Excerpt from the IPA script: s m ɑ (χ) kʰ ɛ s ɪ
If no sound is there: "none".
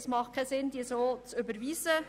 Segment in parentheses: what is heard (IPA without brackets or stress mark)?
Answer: χ